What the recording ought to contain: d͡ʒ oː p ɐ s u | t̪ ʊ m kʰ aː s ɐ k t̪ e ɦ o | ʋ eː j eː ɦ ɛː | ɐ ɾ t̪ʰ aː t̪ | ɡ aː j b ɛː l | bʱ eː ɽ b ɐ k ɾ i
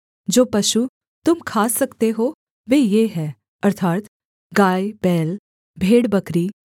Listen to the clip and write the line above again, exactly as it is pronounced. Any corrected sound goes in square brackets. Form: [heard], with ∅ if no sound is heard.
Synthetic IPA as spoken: d͡ʒ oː p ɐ [ʃ] u | t̪ ʊ m kʰ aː s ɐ k t̪ e ɦ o | ʋ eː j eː ɦ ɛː | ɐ ɾ t̪ʰ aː t̪ | ɡ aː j b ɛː l | bʱ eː ɽ b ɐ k ɾ i